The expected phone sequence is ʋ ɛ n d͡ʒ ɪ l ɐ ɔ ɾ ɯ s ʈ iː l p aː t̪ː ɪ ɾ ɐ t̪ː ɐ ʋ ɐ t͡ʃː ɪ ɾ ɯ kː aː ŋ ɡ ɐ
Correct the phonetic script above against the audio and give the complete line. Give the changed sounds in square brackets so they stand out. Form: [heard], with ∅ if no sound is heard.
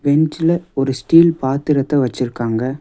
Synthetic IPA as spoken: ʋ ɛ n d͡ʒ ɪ l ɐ ɔ ɾ ɯ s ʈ iː l p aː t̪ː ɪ ɾ ɐ t̪ː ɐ ʋ ɐ t͡ʃː ɪ ɾ ɯ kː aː ŋ ɡ ɐ